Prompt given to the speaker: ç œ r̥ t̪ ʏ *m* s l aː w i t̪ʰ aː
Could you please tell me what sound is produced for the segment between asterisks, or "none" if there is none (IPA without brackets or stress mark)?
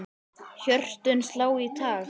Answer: n